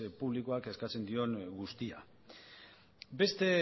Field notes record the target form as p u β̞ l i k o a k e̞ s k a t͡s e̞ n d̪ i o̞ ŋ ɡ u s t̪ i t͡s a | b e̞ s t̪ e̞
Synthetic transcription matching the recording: p u β̞ l i k o a k e̞ s k a t͡s e̞ n d̪ i o̞ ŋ ɡ u s t̪ i a | b e̞ s t̪ e̞

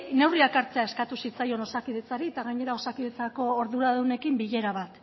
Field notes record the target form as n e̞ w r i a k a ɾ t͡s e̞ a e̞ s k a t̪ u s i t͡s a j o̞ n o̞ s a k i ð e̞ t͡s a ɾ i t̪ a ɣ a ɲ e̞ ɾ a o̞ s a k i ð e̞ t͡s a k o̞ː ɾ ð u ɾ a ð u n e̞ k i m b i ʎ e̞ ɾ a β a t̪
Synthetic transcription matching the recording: n e̞ w r i a k a ɾ t͡s e̞ a e̞ s k a t̪ u s i t͡s a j o̞ n o̞ s a k i ð e̞ t͡s a ɾ i t̪ a ɣ a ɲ e̞ ɾ a o̞ s a k i ð e̞ t͡s a k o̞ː ɾ ð u ɾ a ð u n e̞ k i m b i ʎ e̞ ɾ a β a t̪

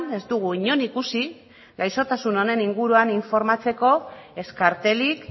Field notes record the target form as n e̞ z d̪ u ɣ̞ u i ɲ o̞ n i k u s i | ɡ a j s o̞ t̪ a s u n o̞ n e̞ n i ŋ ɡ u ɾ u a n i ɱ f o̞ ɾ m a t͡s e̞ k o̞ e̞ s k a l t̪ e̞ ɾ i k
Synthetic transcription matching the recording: n e̞ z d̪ u ɣ̞ u i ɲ o̞ n i k u s i | ɡ a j s o̞ t̪ a s u n o̞ n e̞ n i ŋ ɡ u ɾ u a n i ɱ f o̞ ɾ m a t͡s e̞ k o̞ e̞ s k a ɾ t̪ e̞ l i k

